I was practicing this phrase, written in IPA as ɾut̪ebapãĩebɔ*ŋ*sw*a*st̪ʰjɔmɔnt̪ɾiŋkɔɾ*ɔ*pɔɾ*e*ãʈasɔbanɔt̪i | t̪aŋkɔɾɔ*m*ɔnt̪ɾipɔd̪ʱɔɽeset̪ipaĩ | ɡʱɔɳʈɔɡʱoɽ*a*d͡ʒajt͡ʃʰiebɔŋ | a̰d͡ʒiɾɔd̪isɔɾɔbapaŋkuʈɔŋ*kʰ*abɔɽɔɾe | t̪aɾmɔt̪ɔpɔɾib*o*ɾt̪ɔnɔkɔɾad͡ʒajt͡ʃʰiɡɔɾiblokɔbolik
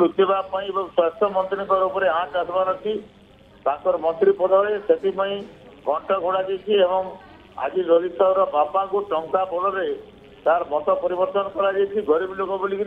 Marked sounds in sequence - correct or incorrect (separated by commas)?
correct, correct, incorrect, correct, correct, correct, incorrect, incorrect